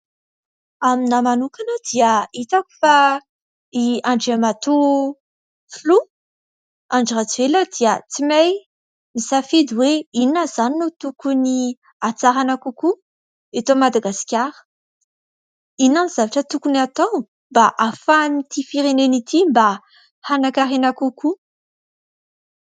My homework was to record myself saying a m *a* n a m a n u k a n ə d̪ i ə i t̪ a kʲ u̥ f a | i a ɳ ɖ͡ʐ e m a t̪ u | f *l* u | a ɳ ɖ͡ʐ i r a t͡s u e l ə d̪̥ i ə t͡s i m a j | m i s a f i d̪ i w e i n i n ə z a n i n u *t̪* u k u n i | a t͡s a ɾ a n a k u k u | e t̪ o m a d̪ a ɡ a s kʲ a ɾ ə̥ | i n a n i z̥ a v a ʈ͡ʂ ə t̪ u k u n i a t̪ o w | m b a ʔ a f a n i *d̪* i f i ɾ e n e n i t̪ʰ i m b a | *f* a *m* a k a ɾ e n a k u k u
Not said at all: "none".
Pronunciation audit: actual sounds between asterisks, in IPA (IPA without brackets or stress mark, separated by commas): i, l, t̪, t̪, h, n